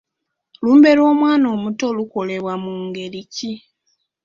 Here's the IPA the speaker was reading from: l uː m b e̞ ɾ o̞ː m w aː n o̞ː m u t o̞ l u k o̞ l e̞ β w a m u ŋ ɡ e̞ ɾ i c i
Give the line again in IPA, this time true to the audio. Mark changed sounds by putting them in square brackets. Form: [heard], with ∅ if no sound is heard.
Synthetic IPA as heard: l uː m b e̞ ɾ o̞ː m w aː n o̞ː m u t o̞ l u k o̞ l e̞ β w a m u ŋ ɡ e̞ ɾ i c i